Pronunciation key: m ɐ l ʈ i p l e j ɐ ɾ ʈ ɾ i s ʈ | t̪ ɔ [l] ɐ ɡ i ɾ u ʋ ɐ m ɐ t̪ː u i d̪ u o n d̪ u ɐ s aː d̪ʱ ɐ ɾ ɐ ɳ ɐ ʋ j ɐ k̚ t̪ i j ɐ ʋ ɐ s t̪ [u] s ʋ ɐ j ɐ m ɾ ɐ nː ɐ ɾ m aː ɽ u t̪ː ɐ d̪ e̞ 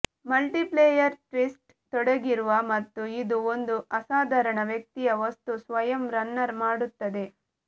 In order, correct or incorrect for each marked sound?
incorrect: ɽ, correct

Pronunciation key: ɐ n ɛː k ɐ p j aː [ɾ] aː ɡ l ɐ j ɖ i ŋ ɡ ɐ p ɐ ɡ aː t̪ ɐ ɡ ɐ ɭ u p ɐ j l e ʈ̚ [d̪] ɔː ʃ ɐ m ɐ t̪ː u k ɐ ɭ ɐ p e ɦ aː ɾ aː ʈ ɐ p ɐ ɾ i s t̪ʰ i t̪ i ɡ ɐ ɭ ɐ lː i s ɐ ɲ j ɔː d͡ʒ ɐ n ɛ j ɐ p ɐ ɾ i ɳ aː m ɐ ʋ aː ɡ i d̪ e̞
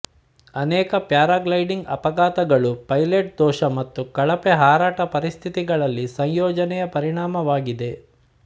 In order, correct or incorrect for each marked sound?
correct, correct

